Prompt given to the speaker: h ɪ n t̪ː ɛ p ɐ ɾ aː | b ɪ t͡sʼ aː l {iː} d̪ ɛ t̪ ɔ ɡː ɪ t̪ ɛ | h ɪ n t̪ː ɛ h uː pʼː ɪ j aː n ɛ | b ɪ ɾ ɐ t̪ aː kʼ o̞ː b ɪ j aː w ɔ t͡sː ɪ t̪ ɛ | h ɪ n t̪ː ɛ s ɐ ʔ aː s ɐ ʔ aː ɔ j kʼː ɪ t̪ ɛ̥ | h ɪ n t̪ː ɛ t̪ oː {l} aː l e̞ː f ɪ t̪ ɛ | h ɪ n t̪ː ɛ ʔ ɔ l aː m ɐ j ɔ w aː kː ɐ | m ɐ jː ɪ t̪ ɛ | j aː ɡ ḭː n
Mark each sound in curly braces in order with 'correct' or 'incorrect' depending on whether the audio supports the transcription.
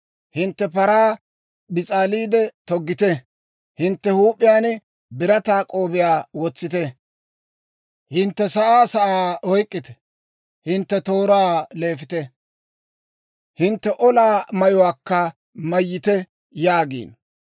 correct, incorrect: ɾ

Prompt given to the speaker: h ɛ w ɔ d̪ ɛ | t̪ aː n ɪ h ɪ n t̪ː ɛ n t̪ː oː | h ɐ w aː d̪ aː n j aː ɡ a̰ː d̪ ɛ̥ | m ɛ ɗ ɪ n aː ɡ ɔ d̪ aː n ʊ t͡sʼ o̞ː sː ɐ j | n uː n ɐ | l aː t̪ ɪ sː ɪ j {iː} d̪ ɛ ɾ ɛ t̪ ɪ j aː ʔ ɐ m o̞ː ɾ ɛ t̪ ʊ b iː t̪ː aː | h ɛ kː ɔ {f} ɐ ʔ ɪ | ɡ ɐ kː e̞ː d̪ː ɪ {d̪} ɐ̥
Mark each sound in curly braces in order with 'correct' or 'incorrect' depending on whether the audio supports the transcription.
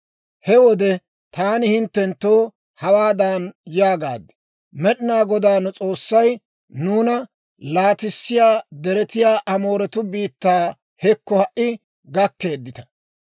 incorrect: aː, incorrect: h, incorrect: t̪

